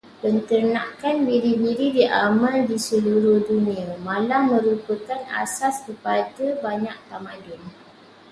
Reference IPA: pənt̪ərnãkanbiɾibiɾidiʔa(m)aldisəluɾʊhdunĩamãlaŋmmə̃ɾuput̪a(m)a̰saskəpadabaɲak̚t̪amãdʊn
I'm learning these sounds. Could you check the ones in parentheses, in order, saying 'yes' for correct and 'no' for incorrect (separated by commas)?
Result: yes, no